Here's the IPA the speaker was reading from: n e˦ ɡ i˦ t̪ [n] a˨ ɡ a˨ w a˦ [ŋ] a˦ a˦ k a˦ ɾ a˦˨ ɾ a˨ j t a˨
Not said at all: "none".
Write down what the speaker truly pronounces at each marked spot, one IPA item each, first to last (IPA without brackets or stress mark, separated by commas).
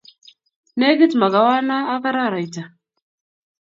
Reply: m, n